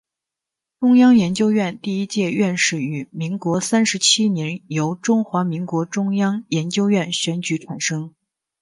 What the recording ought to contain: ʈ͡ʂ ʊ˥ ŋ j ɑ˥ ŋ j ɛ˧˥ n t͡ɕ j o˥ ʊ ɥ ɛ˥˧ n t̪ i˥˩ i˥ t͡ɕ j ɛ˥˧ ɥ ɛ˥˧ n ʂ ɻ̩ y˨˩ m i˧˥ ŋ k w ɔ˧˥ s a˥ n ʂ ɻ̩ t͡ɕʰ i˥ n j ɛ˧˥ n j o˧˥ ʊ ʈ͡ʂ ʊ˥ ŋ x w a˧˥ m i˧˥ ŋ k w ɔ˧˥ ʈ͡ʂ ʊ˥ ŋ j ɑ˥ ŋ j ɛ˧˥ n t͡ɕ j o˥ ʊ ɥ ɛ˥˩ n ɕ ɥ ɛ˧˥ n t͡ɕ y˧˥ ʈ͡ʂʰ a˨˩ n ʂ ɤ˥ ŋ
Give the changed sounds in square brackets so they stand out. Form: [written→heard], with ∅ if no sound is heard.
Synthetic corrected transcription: ʈ͡ʂ ʊ˥ ŋ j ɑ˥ ŋ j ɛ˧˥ n t͡ɕ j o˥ ʊ ɥ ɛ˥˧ n t̪ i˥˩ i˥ t͡ɕ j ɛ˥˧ ɥ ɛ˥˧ n ʂ ɻ̩ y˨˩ m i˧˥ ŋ k w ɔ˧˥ s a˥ n ʂ ɻ̩ t͡ɕʰ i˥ n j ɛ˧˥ n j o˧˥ ʊ ʈ͡ʂ ʊ˥ ŋ x w a˧˥ m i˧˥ ŋ k w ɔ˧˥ ʈ͡ʂ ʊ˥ ŋ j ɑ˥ ŋ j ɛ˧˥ n t͡ɕ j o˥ ʊ ɥ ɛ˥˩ n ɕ ɥ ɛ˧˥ n t͡ɕ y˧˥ ʈ͡ʂʰ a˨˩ n ʂ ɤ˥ ŋ

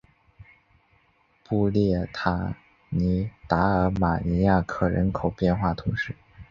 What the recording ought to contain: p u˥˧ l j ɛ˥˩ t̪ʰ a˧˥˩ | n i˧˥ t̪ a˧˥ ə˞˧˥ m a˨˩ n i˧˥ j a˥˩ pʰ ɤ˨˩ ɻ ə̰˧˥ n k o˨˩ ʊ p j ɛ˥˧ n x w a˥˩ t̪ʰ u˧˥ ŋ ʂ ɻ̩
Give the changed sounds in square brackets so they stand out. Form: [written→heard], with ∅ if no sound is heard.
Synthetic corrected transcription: p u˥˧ l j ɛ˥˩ t̪ʰ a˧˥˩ | n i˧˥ t̪ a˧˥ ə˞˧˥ m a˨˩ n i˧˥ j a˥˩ [pʰ→kʰ] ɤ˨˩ ɻ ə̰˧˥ n [k→kʰ] o˨˩ ʊ p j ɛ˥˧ n x w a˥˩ t̪ʰ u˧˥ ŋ ʂ ɻ̩

